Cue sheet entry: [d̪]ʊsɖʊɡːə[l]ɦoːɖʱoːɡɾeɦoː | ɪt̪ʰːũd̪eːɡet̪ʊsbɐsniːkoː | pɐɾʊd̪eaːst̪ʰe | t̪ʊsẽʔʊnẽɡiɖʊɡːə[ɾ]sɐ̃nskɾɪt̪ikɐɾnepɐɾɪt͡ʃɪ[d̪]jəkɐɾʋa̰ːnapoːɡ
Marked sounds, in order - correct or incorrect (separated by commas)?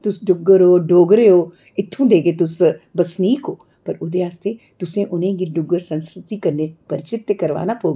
incorrect, incorrect, correct, incorrect